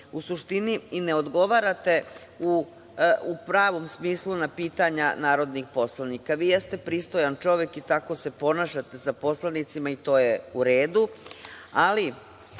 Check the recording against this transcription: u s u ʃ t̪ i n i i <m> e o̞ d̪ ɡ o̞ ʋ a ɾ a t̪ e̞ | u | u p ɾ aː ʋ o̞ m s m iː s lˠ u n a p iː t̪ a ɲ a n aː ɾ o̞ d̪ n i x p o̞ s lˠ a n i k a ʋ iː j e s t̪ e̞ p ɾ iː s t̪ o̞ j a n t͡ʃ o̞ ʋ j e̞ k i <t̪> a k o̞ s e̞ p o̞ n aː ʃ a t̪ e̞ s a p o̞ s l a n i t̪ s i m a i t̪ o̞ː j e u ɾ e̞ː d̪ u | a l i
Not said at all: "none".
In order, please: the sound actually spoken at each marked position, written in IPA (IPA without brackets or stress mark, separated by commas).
n, t̪